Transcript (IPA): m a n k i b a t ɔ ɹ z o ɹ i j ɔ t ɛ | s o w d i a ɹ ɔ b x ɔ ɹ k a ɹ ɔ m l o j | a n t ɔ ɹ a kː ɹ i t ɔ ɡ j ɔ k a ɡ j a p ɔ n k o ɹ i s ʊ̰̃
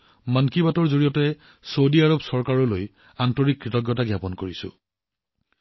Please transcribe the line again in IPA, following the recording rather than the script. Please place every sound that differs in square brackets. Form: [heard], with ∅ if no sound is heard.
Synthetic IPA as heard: m a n k i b a t ɔ ɹ z o ɹ i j ɔ t ɛ | s o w d i a ɹ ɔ b [s] ɔ ɹ k a ɹ ɔ [∅] l o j | a n t ɔ ɹ [i] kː ɹ i t ɔ ɡ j ɔ [t] a ɡ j a p ɔ n k o ɹ i s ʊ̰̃